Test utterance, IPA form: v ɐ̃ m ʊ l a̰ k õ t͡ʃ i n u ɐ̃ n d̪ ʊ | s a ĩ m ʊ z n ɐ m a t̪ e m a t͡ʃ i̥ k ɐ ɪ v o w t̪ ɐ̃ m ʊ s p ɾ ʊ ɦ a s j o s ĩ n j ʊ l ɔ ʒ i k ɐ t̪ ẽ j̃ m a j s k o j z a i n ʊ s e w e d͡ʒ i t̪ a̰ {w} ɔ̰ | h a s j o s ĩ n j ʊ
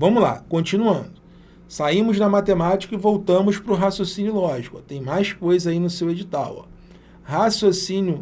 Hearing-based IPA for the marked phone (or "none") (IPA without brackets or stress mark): w